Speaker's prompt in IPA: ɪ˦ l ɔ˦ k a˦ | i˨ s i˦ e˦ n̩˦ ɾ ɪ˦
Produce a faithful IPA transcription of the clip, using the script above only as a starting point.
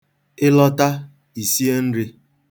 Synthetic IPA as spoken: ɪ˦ l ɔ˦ t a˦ | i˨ s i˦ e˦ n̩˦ ɾ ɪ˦